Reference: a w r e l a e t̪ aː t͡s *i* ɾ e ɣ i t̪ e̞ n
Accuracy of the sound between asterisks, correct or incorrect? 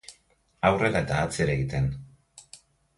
incorrect